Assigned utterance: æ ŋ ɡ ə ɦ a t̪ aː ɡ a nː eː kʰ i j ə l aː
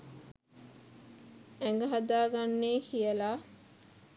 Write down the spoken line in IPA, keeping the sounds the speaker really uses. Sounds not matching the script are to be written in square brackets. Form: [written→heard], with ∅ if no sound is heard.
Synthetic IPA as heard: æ ŋ ɡ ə ɦ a [t̪→d̪] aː ɡ a nː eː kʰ i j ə l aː